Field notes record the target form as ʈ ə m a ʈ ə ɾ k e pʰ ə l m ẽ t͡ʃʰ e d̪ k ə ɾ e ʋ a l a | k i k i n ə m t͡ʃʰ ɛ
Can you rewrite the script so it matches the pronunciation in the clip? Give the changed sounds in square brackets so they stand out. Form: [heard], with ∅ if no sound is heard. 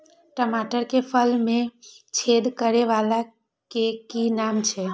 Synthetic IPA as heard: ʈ ə m a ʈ ə ɾ k e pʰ ə l m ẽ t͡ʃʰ e d̪ k ə ɾ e ʋ a l a | k [e] k i n [a] m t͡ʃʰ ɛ